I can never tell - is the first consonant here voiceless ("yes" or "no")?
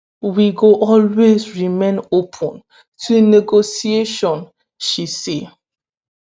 no